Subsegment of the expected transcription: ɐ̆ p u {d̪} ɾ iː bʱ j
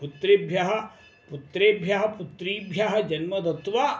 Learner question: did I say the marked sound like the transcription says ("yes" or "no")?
no